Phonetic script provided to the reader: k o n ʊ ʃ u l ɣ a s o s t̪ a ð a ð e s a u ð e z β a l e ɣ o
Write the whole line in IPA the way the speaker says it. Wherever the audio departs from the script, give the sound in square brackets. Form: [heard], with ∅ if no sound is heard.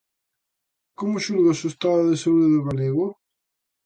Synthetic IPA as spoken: k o [m] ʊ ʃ u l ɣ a s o s t̪ a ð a ð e s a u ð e [ð] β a l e ɣ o